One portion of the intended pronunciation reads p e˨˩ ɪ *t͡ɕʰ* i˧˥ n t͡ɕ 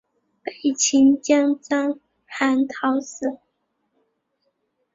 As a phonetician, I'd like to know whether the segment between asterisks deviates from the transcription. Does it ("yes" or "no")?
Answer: no